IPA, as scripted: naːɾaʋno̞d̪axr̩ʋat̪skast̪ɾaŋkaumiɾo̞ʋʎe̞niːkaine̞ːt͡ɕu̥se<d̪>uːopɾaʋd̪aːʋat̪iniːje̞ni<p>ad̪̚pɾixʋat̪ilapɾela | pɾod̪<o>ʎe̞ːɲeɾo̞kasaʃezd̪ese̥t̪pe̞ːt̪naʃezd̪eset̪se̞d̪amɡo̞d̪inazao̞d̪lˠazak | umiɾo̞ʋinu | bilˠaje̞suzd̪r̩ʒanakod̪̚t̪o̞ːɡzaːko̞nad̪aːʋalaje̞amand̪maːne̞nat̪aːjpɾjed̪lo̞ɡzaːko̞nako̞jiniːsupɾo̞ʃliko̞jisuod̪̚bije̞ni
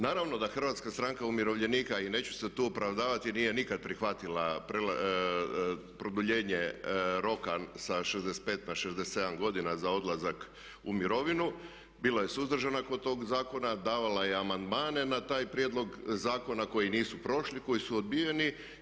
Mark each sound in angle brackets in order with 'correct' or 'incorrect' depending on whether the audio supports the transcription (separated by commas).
incorrect, incorrect, incorrect